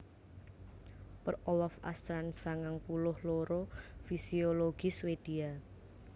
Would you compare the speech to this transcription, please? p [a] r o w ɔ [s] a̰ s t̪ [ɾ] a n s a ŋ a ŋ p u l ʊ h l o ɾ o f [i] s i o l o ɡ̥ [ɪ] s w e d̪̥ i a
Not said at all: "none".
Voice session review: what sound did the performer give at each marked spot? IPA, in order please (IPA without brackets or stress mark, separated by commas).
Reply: ə, f, ɾ, i, i